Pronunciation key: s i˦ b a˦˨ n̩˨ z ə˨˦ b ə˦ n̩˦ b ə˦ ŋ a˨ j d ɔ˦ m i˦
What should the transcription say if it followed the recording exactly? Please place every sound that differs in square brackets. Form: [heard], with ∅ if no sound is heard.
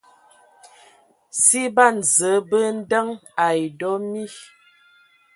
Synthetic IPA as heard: s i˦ b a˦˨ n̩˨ z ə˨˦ b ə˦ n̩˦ [d] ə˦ ŋ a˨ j d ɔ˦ m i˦

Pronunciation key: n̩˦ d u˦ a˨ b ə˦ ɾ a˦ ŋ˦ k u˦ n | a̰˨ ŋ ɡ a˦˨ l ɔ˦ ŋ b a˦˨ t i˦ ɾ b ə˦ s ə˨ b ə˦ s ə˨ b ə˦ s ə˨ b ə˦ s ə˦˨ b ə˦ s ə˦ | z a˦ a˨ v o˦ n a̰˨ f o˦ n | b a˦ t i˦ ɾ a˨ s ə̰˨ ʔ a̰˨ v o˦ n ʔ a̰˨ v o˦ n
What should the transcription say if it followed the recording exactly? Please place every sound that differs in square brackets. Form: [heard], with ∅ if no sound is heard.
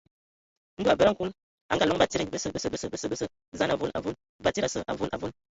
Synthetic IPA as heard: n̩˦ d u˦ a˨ b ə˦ ɾ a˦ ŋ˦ k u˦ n | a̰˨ ŋ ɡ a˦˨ l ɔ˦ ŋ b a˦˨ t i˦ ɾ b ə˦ s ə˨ b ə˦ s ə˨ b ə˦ s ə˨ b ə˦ s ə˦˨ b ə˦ s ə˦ | z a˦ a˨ v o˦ n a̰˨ [v] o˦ n | b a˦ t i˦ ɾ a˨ s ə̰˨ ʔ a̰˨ v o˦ n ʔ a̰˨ v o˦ n

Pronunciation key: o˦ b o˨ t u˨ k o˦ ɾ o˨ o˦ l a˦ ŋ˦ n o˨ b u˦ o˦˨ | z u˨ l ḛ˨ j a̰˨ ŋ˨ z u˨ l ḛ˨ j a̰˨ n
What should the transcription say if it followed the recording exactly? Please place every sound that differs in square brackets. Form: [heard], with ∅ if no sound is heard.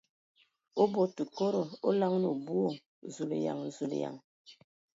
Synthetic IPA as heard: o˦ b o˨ t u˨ k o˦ ɾ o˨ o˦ l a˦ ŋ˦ n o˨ b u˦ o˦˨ | z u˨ l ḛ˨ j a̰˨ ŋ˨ z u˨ l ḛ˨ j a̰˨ [ŋ]

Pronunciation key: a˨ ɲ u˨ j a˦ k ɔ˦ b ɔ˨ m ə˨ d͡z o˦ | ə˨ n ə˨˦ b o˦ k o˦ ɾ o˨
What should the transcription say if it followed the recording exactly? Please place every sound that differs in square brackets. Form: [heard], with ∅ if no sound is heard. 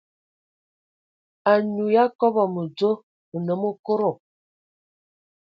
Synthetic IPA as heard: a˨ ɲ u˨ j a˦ k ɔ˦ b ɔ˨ m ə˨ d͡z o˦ | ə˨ n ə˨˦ [m] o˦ k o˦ ɾ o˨

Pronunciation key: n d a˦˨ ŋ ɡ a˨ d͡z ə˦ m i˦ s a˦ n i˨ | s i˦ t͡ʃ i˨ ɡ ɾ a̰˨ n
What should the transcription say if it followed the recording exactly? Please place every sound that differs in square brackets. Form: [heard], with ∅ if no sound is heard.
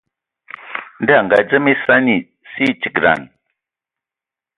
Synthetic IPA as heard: n d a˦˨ ŋ ɡ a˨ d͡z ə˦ m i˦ s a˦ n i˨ | s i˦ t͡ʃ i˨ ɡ ɾ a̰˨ n

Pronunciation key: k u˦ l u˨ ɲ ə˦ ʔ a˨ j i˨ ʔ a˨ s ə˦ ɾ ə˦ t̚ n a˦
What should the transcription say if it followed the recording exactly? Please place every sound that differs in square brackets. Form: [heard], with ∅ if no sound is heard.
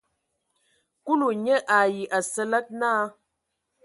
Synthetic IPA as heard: k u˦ l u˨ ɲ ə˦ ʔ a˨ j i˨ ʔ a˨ s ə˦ [l] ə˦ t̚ n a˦

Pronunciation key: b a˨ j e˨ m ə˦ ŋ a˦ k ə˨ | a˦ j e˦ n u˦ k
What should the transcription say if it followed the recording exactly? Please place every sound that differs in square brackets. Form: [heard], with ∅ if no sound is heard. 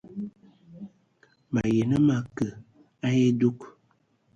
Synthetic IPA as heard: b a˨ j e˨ [n] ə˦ [m] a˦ k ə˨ | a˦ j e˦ [d] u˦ k

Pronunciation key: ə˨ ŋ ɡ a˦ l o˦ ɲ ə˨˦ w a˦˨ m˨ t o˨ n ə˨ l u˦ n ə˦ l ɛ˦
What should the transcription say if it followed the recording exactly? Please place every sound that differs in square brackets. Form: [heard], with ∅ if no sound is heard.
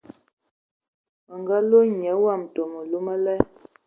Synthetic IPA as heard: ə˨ ŋ ɡ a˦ l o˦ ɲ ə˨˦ w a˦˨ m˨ t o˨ [m] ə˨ l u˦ [m] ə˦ l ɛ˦

